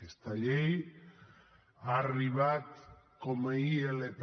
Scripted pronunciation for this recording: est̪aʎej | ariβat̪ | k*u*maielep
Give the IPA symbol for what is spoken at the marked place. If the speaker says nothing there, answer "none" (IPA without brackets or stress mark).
o